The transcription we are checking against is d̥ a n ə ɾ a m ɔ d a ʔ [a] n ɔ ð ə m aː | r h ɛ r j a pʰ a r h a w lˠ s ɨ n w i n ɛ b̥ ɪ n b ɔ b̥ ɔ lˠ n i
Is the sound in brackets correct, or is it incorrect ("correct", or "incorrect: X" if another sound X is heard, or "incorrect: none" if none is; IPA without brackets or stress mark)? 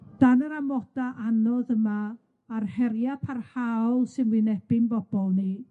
correct